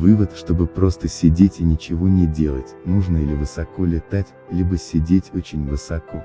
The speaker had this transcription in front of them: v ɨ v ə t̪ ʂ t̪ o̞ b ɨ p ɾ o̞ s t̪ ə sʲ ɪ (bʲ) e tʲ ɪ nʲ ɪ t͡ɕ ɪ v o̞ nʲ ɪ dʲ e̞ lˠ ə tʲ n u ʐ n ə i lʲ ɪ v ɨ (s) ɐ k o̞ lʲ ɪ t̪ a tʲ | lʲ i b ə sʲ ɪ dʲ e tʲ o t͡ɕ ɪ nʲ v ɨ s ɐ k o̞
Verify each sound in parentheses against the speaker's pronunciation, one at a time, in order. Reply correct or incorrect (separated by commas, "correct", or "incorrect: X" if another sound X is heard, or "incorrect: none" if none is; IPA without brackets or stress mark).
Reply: incorrect: dʲ, correct